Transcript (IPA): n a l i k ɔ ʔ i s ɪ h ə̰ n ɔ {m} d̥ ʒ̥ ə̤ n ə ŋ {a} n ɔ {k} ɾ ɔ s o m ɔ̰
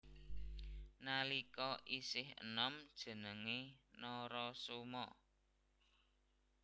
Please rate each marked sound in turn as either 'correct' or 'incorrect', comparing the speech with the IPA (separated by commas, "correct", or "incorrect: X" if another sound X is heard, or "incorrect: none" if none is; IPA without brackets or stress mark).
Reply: correct, incorrect: e, incorrect: none